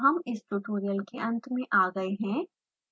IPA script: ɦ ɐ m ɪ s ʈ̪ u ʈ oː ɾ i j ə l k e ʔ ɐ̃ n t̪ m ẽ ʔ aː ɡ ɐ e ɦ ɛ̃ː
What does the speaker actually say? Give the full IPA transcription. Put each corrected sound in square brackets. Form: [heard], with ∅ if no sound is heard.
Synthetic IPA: ɦ ɐ m ɪ s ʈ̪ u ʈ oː ɾ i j ə l k e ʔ ɐ̃ n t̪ m ẽ ʔ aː ɡ ɐ e ɦ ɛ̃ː